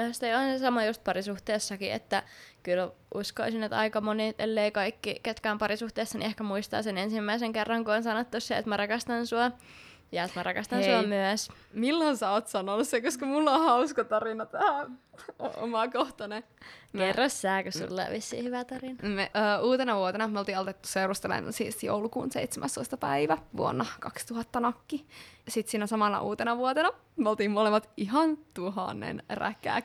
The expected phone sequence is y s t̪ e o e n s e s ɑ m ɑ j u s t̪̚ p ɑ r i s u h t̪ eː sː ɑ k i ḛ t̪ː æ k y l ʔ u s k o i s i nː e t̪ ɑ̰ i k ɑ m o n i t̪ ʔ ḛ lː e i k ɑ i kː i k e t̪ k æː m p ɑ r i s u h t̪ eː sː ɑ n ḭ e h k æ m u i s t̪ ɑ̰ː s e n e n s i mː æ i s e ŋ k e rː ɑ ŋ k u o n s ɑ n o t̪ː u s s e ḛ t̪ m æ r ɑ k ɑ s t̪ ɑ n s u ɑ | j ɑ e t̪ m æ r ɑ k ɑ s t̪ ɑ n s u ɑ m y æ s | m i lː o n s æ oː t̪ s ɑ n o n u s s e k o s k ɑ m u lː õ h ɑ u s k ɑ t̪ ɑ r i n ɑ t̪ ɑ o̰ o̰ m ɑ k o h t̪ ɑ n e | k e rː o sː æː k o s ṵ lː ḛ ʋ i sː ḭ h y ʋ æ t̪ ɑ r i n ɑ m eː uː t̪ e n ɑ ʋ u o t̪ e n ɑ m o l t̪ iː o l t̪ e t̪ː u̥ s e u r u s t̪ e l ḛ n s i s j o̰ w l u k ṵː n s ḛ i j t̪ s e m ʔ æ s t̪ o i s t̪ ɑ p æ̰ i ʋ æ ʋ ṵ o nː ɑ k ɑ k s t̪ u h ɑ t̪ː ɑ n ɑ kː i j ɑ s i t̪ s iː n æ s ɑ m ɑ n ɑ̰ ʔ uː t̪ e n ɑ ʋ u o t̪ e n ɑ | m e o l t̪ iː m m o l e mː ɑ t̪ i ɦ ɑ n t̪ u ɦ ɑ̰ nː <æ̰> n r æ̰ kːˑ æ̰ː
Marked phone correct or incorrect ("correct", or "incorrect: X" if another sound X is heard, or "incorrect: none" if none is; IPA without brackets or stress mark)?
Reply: incorrect: ḛ